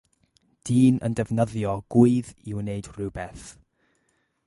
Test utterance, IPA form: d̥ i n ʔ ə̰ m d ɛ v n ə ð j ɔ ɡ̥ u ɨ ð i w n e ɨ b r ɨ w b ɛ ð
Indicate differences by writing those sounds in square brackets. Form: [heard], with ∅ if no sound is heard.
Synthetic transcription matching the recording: d̥ [iː] n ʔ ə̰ [n] d ɛ v n ə ð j ɔ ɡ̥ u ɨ ð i w n e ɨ [d] r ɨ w b ɛ [θ]